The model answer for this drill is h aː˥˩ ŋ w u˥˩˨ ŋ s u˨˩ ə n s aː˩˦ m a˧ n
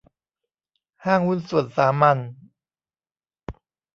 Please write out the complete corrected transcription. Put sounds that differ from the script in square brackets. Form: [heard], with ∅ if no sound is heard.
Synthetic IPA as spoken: h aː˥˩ ŋ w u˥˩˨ [n] s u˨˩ ə n s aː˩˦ m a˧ n